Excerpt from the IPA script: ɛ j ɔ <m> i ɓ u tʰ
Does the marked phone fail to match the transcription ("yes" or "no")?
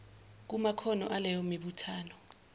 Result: no